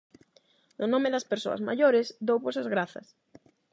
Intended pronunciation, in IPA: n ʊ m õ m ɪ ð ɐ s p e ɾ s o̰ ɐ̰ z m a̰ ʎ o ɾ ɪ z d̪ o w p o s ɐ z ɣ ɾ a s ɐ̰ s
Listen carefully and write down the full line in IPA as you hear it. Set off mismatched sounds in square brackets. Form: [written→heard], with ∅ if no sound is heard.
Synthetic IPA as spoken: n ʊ [m→n] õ m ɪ ð ɐ s p e ɾ s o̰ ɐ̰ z m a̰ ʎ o ɾ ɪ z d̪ o w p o s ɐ z ɣ ɾ a [s→θ] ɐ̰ s